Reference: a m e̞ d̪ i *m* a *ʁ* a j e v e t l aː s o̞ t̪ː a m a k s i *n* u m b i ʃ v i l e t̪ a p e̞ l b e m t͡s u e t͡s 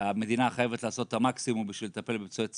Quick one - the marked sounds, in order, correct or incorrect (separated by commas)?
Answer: incorrect, incorrect, incorrect